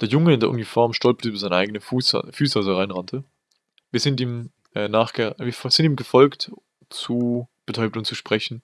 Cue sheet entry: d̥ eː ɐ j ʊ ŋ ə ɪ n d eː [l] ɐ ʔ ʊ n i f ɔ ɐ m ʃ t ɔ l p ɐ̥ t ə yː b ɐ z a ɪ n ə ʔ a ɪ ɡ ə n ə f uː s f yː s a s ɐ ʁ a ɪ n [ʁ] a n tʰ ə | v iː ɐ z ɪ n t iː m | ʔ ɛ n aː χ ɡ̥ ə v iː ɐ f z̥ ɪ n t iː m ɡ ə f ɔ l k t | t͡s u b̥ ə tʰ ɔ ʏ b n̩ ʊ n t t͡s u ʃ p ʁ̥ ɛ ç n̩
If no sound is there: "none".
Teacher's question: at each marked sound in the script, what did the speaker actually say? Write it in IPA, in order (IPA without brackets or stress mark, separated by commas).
none, ʁ